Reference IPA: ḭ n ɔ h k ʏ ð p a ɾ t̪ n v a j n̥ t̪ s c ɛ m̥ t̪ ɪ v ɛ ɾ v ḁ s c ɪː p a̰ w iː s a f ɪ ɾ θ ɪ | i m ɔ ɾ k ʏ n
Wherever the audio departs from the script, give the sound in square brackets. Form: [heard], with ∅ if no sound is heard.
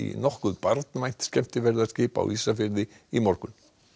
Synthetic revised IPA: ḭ n ɔ h k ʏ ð p a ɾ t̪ n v a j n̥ t̪ s c ɛ m̥ t̪ ɪ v ɛ ɾ [ð] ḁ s c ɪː p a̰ w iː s a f ɪ ɾ [ð] ɪ | i m ɔ ɾ k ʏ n